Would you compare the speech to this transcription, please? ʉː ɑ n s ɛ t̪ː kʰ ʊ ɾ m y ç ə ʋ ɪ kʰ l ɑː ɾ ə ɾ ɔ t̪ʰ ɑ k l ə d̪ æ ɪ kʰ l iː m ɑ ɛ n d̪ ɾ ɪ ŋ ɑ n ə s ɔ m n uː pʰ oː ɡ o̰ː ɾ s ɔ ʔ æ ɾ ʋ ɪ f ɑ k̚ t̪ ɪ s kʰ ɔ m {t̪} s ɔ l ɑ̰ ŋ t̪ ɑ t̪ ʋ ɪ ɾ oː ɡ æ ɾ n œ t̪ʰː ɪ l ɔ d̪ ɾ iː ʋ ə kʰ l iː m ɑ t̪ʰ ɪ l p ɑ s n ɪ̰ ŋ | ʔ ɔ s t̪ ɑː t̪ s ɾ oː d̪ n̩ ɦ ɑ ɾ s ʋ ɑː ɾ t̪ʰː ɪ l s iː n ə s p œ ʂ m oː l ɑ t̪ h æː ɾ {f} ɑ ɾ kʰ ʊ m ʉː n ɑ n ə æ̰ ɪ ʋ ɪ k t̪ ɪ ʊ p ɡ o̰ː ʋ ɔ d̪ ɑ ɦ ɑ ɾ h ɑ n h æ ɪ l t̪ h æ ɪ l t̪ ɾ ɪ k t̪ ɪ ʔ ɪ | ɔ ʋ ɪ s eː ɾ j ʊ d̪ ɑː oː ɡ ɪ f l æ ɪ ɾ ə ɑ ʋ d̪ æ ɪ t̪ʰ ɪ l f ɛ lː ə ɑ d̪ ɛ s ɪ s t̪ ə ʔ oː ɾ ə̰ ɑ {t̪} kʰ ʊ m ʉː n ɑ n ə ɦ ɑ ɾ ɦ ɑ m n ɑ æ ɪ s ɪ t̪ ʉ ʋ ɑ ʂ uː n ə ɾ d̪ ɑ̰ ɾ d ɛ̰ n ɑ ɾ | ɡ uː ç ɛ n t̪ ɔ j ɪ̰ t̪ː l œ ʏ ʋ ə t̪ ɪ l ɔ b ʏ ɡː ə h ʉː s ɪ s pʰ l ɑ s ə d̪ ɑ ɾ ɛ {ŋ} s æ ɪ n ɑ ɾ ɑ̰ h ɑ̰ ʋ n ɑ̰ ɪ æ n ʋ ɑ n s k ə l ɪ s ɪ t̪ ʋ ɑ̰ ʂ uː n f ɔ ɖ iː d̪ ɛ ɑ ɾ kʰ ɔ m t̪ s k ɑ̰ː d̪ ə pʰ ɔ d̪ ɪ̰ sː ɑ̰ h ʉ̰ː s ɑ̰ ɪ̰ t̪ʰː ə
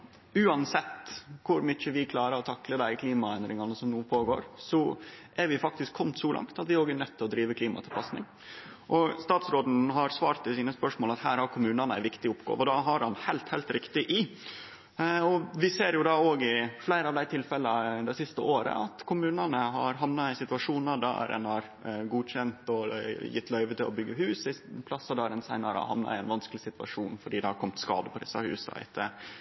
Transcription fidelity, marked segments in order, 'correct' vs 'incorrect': correct, incorrect: h, correct, incorrect: n

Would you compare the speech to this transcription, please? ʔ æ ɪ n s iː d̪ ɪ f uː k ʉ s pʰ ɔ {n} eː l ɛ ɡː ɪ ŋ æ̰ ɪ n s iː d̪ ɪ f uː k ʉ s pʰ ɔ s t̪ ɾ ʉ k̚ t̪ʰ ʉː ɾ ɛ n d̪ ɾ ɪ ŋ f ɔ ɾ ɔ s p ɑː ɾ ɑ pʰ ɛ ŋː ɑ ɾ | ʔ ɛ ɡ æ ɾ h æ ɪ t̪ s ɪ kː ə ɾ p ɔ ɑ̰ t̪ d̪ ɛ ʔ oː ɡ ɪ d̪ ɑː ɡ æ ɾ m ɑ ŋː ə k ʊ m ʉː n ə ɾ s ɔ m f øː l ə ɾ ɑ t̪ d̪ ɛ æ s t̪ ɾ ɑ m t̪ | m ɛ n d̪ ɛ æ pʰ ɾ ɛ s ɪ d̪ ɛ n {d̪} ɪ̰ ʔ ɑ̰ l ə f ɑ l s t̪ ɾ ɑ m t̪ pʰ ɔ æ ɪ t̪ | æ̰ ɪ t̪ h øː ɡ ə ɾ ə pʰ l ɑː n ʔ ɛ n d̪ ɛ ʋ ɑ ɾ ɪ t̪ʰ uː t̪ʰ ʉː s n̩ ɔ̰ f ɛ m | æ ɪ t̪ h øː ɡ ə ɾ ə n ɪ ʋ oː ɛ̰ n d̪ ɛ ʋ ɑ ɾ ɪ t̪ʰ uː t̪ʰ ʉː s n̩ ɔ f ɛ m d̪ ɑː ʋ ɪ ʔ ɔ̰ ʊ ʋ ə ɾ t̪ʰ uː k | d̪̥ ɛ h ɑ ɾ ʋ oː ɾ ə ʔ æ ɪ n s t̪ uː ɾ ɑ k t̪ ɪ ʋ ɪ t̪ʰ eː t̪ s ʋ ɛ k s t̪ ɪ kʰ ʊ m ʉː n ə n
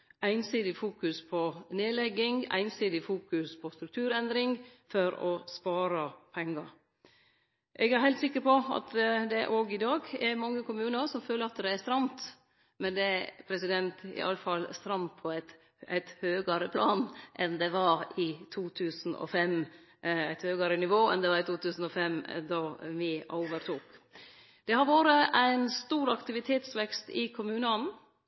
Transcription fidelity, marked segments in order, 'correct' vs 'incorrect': correct, incorrect: t̪

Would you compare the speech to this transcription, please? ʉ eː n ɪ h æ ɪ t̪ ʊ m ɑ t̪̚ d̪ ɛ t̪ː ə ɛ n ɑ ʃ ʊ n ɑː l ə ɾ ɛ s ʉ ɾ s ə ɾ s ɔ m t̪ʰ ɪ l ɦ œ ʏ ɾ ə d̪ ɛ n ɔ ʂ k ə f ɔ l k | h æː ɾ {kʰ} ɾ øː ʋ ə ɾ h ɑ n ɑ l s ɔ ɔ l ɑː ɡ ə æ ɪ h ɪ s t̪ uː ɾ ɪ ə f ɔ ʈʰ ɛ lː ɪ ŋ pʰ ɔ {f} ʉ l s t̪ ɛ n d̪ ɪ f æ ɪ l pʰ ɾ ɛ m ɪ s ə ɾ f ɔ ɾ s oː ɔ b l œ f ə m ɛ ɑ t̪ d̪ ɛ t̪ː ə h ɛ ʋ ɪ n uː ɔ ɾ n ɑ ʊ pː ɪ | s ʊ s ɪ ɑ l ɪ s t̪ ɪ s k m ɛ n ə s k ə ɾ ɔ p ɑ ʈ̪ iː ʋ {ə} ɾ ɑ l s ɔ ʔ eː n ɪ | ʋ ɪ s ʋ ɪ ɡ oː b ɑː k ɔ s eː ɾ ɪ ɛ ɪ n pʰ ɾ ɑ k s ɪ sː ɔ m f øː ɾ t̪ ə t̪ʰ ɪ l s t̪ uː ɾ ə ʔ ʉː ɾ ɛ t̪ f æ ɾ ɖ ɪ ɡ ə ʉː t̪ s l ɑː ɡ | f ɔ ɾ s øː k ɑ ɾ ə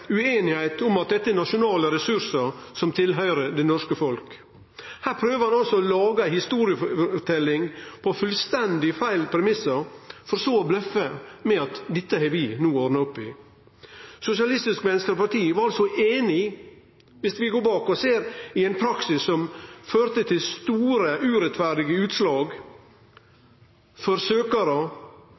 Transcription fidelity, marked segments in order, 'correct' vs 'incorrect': incorrect: pʰ, correct, incorrect: ɑ

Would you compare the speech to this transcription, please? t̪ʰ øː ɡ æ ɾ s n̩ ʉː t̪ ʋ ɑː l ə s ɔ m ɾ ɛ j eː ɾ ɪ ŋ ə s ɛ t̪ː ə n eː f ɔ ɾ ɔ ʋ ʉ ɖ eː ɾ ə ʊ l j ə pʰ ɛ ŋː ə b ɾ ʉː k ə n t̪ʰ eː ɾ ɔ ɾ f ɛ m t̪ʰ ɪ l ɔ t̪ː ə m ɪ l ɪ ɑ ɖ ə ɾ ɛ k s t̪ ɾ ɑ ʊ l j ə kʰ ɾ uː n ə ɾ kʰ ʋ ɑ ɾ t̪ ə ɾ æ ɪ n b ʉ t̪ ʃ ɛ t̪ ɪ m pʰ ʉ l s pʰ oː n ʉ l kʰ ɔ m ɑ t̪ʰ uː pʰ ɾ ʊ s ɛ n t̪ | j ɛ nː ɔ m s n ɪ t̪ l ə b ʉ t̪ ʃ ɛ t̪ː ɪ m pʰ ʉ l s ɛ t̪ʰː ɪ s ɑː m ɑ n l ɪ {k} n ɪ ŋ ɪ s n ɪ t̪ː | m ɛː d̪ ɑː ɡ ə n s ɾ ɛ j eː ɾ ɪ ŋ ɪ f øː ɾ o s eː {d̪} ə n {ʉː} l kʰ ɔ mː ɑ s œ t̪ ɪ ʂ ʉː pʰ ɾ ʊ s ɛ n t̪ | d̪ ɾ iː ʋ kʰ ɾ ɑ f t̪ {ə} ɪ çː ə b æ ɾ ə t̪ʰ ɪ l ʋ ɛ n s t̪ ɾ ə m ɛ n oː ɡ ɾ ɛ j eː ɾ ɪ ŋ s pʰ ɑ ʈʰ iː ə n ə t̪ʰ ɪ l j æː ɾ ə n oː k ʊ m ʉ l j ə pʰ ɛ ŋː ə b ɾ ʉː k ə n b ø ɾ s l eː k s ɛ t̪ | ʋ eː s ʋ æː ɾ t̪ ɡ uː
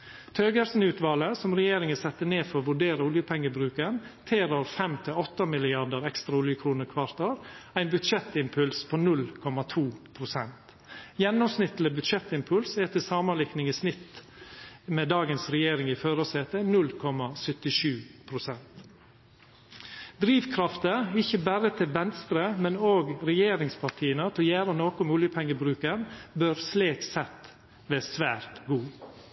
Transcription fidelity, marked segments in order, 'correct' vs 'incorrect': correct, incorrect: t̪, incorrect: ʉ, correct

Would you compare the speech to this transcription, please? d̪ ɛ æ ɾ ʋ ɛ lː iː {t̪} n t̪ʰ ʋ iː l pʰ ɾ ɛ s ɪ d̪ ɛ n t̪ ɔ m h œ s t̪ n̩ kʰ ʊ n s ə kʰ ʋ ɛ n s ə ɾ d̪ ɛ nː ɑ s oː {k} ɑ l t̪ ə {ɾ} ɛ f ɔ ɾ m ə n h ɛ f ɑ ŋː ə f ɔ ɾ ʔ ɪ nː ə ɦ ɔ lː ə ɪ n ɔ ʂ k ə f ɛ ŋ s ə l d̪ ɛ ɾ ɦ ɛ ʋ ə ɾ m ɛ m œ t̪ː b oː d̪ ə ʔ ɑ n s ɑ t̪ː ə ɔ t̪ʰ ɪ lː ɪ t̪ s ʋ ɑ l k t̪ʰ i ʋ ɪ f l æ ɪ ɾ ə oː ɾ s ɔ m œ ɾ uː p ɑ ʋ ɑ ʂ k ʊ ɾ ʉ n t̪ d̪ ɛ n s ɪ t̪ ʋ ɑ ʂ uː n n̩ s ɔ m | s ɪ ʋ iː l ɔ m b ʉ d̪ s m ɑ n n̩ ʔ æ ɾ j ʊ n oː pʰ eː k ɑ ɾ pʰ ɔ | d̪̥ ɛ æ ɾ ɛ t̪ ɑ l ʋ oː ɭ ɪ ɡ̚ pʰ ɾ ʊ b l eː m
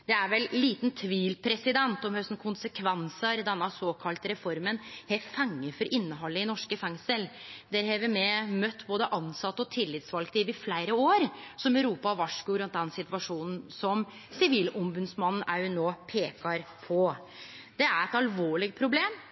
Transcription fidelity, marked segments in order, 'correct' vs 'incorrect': correct, incorrect: kʰ, correct

